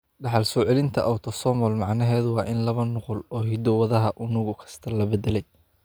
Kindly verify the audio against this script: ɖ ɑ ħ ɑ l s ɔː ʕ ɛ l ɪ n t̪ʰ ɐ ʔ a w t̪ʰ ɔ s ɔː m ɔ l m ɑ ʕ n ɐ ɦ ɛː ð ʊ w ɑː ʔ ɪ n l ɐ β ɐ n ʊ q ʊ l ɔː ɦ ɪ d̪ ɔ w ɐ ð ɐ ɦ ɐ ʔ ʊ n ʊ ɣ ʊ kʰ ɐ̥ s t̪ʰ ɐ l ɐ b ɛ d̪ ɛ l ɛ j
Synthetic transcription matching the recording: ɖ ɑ ħ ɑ l s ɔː ʕ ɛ l ɪ n t̪ʰ ɐ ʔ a w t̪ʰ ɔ s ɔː m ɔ l m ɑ ʕ n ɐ ɦ ɛː ð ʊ w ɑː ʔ ɪ n l ɐ β ɐ n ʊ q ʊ l ɔː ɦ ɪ d̪ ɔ w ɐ ð ɐ ɦ ɐ ʔ ʊ n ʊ ɣ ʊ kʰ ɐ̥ s t̪ʰ ɐ l ɐ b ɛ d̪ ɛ l ɛ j